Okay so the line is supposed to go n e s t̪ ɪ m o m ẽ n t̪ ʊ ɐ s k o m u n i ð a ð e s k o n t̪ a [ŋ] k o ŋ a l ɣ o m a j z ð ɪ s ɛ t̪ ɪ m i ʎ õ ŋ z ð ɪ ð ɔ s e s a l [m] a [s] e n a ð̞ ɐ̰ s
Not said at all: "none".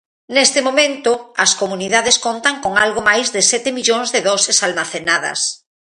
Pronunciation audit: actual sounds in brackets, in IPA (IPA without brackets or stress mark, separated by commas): ŋ, m, θ